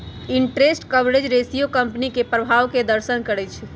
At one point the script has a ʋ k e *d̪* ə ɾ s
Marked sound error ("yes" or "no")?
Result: no